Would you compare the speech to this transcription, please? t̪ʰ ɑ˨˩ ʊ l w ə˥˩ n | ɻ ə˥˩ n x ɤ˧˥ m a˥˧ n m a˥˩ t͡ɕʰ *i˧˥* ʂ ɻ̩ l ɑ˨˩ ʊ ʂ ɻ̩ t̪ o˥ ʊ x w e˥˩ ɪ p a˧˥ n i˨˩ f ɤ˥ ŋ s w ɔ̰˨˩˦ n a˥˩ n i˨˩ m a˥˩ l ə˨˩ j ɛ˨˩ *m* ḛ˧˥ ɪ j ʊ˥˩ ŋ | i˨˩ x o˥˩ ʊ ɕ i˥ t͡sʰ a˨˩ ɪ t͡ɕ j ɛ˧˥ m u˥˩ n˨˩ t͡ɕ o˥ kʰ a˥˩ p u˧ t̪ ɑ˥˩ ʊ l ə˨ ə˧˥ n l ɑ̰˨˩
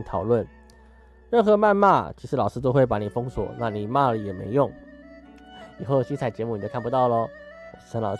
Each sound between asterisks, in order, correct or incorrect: correct, correct

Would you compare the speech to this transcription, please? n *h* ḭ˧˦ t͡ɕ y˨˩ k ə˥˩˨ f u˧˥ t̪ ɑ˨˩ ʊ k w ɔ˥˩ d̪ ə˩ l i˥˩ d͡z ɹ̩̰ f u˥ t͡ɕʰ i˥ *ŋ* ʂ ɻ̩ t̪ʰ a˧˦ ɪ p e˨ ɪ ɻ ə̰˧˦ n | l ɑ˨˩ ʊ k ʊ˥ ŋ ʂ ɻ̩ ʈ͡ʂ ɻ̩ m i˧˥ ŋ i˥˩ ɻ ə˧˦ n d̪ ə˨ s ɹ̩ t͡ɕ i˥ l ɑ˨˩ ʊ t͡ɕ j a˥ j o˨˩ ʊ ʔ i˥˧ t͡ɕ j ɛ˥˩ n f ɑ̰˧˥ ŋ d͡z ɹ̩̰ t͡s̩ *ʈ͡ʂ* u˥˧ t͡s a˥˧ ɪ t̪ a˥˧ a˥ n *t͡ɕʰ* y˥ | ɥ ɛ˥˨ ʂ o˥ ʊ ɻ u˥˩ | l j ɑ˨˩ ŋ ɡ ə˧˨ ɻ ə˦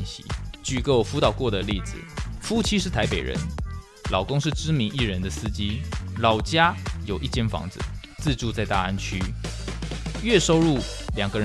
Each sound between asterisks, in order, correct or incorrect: incorrect: ɕ, incorrect: none, correct, correct

